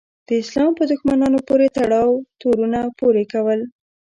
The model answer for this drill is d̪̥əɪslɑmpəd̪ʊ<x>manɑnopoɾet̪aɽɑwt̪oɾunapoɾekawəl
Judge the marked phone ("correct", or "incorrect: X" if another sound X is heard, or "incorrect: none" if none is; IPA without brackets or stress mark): correct